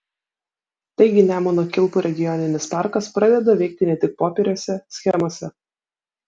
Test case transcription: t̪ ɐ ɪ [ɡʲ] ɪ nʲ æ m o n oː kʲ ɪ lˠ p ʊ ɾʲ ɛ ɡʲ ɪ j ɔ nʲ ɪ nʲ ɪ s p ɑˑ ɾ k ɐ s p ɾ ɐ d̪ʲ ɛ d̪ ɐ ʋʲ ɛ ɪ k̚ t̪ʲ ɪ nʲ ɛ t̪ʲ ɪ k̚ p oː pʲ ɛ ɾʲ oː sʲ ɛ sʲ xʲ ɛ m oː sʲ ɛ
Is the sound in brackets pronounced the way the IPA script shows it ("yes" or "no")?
yes